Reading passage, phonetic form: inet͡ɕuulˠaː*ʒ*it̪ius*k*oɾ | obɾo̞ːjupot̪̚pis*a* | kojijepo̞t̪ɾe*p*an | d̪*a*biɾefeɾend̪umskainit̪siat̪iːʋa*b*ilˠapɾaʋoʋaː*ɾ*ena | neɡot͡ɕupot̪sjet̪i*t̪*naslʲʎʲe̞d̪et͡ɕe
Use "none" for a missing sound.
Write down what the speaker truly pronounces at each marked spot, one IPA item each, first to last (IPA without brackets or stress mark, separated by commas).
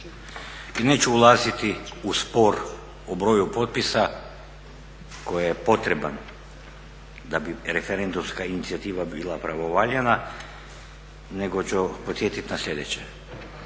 z, p, a, b, a, b, ʎ, t̪